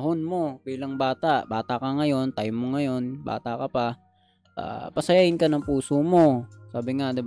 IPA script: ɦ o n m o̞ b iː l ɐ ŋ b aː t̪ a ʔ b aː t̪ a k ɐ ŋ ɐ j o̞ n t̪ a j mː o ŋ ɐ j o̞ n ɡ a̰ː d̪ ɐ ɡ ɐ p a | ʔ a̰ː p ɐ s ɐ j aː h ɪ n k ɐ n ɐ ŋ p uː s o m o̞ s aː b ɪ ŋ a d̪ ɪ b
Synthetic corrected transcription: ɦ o n m o̞ b iː l ɐ ŋ b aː t̪ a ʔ b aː t̪ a k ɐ ŋ ɐ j o̞ n t̪ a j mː o ŋ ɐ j o̞ n b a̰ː t̪ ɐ k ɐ p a | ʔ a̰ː p ɐ s ɐ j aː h ɪ n k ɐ n ɐ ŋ p uː s o m o̞ s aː b ɪ ŋ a d̪ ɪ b